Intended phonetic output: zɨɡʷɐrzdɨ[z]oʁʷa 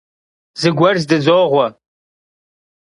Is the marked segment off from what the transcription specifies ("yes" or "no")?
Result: no